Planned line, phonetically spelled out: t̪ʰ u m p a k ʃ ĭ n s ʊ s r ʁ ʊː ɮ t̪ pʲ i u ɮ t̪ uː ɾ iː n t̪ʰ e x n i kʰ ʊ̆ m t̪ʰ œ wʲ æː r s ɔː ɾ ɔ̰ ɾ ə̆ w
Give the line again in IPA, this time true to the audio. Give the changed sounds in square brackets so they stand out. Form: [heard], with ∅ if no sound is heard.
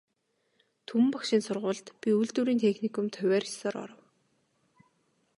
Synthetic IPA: t̪ʰ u m p a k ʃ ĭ n s ʊ [∅] r ʁ ʊː ɮ t̪ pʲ i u ɮ t̪ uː ɾ iː n t̪ʰ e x n i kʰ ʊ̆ m t̪ʰ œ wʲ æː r s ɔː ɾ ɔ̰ ɾ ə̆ w